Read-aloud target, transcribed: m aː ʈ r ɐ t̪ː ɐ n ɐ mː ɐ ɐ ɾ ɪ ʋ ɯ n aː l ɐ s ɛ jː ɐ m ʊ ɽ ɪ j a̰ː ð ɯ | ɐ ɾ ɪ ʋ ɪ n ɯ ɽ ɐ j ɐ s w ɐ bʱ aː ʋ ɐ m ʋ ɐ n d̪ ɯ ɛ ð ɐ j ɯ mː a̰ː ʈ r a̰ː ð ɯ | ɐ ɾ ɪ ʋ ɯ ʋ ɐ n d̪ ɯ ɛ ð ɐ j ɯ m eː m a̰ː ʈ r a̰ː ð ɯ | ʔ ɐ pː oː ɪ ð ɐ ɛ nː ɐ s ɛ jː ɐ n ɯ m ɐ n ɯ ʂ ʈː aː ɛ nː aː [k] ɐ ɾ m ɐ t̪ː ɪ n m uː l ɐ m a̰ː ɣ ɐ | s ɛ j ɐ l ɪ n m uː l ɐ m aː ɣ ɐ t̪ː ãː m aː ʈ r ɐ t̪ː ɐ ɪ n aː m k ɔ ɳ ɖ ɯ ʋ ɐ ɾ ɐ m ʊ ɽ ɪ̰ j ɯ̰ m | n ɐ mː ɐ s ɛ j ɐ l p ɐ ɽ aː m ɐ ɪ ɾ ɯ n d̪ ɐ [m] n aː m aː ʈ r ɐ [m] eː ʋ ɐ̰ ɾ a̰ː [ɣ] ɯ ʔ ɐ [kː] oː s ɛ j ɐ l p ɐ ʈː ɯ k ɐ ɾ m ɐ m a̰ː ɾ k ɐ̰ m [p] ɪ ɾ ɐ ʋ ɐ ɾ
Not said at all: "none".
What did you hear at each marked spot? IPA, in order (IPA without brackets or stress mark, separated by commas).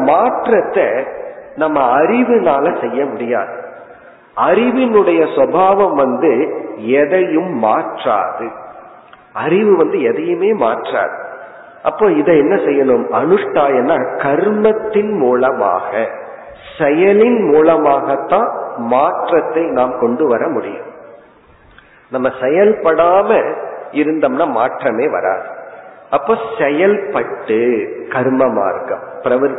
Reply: k, m, m, ð, pː, p